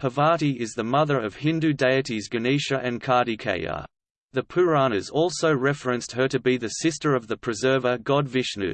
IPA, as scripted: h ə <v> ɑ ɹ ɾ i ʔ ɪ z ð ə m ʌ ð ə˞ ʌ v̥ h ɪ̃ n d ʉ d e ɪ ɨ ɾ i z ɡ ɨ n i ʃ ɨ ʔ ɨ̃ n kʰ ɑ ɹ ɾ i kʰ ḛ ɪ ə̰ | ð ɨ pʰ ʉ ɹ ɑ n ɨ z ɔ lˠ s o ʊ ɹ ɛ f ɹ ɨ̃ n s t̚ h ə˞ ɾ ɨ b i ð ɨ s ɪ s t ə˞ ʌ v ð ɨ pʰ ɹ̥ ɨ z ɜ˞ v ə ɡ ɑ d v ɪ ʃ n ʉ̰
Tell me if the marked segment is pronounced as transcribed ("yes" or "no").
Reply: yes